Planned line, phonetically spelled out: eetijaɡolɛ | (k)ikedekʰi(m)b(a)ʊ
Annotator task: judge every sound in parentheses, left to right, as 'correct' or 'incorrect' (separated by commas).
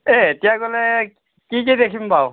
correct, correct, correct